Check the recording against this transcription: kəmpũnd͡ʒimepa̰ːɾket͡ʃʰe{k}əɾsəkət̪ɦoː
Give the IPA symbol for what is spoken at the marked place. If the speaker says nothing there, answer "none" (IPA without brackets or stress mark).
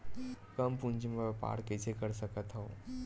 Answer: k